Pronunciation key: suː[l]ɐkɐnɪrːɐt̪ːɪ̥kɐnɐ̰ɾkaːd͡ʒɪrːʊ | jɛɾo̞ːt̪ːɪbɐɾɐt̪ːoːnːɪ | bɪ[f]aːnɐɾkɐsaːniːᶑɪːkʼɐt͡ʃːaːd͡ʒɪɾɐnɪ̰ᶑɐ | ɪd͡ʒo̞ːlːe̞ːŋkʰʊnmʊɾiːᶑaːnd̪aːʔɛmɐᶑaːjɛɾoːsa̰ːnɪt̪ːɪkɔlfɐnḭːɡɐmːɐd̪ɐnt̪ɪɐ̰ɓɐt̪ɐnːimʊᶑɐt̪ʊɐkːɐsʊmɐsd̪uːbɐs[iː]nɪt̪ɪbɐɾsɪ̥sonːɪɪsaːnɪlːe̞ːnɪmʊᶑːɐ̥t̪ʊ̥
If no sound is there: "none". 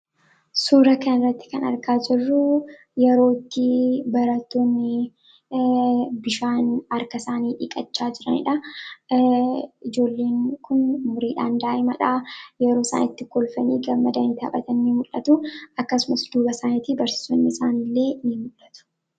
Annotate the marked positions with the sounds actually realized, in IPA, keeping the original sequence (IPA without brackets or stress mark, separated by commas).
ɾ, ʃ, aː